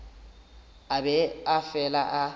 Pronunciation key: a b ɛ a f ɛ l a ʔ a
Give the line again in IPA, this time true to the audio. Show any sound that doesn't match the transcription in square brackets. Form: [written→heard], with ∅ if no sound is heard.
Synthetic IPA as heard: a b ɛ a f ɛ l a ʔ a